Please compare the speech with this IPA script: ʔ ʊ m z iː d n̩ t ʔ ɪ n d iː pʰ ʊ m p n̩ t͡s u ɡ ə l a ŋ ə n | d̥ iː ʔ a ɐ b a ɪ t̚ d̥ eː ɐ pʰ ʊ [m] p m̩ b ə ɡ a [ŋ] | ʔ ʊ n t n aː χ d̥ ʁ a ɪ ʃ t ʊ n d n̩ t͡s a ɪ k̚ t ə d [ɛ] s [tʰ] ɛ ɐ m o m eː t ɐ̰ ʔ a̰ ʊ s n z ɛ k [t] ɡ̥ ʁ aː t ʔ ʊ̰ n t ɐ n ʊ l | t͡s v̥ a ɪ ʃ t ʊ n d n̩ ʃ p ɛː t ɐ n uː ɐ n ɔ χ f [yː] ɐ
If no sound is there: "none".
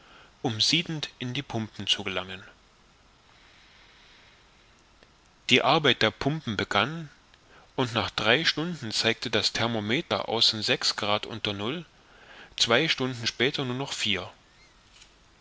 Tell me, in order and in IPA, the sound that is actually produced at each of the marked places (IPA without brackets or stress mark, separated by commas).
m, n, a, tʰ, s, iː